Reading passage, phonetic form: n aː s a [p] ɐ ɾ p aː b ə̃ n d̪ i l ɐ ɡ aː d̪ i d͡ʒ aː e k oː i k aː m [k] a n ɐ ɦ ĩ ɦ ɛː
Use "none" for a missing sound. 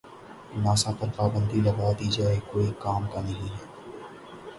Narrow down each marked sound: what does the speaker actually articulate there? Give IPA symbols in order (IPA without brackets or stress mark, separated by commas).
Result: p, k